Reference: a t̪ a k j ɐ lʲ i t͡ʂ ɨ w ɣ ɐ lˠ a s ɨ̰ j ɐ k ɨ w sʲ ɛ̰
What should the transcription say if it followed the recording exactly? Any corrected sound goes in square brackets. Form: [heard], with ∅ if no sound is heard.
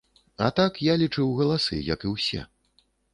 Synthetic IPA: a t̪ a k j [a] lʲ i t͡ʂ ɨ w ɣ ɐ lˠ a s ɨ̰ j ɐ k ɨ w sʲ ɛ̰

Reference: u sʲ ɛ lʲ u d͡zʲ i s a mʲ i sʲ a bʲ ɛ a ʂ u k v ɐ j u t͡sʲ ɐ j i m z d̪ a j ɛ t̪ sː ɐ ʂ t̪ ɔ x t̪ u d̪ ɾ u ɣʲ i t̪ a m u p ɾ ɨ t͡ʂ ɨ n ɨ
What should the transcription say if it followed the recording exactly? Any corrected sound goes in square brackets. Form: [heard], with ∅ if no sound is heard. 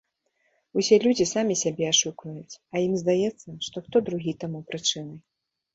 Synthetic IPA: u sʲ ɛ lʲ u d͡zʲ i s a mʲ i sʲ a bʲ ɛ a ʂ u k v ɐ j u t͡sʲ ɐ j i m z d̪ a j ɛ t̪ sː ɐ ʂ t̪ ɔ x t̪ [ɔ] d̪ ɾ u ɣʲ i t̪ a m u p ɾ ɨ t͡ʂ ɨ n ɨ

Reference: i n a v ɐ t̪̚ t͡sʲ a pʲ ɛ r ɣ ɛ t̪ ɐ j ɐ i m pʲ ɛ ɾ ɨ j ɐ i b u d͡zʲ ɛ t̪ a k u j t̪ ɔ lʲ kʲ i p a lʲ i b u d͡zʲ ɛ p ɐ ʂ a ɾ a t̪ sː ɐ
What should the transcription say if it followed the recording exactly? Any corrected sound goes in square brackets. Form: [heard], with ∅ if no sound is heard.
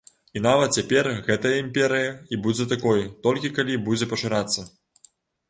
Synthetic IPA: i n a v ɐ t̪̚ t͡sʲ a pʲ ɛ r ɣ ɛ t̪ ɐ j ɐ i m pʲ ɛ ɾ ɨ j ɐ i b u d͡zʲ ɛ t̪ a k [ɔ] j t̪ ɔ lʲ kʲ i [k] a lʲ i b u d͡zʲ ɛ p ɐ ʂ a ɾ a t̪ sː ɐ

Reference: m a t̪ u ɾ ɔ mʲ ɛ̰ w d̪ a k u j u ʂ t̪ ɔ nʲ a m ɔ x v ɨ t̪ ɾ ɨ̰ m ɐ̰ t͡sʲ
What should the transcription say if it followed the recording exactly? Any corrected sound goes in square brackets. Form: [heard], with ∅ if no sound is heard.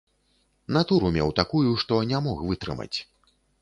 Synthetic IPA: [n] a t̪ u ɾ [u] mʲ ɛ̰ w [t̪] a k u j u ʂ t̪ ɔ nʲ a m ɔ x v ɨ t̪ ɾ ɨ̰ m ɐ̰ t͡sʲ

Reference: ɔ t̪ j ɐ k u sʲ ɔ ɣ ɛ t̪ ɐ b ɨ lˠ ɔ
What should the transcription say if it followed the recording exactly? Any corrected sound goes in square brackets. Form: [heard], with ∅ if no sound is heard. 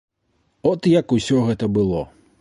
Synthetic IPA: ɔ t̪ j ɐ k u sʲ ɔ ɣ ɛ t̪ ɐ b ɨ lˠ ɔ

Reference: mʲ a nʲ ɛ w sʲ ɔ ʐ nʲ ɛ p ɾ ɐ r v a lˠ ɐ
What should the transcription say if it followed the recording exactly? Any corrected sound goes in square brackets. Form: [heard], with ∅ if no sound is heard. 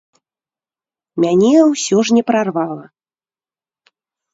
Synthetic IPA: mʲ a nʲ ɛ w sʲ ɔ ʐ nʲ ɛ p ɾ [a] r v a lˠ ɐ

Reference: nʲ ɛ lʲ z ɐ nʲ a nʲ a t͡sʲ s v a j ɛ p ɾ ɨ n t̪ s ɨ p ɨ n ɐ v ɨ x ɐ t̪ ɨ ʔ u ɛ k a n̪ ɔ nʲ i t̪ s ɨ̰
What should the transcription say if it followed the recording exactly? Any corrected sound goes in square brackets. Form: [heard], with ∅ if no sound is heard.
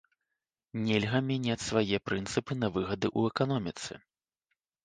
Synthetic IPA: nʲ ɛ lʲ [ɣ] ɐ [mʲ] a nʲ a t͡sʲ s v a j ɛ p ɾ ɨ n t̪ s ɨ p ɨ n ɐ v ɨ [ɣ] ɐ [d̪] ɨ ʔ u ɛ k a n̪ ɔ [mʲ] i t̪ s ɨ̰

